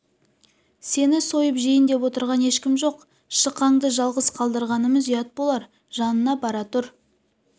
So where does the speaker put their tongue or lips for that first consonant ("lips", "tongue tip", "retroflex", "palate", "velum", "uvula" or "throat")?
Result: tongue tip